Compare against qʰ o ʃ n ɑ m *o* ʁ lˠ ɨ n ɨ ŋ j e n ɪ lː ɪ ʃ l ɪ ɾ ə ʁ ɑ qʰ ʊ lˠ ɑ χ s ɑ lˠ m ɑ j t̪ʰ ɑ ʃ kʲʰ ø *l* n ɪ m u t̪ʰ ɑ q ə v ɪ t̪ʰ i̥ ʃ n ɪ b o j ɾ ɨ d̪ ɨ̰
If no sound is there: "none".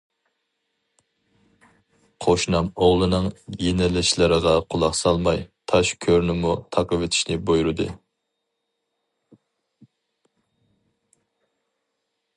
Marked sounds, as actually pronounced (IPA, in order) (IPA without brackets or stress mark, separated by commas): o, ɾ